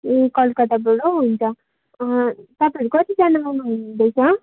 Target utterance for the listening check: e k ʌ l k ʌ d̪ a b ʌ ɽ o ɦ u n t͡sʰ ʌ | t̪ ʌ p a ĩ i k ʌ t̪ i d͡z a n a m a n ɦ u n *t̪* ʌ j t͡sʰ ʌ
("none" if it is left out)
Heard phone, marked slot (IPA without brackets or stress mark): d̪